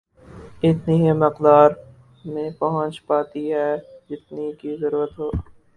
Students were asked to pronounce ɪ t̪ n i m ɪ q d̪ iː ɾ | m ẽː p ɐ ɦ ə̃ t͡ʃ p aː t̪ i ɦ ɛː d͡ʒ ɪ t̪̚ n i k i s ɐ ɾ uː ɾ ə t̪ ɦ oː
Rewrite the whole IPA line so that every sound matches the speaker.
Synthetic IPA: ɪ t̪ n i m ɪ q d̪ aː ɾ | m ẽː p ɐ ɦ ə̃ t͡ʃ p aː t̪ i ɦ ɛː d͡ʒ ɪ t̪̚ n i k i z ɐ ɾ uː ɾ ə t̪ ɦ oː